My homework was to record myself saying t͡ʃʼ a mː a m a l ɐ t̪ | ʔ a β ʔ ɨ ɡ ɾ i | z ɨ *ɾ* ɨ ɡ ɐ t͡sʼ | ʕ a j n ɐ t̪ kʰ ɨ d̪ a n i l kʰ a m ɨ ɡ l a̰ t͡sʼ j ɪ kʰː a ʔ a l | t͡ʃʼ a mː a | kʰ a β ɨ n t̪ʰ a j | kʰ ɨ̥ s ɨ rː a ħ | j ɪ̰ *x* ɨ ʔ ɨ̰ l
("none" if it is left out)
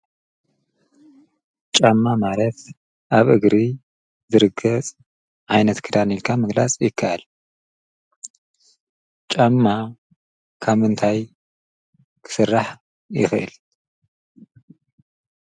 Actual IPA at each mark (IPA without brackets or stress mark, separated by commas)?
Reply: ɾ, x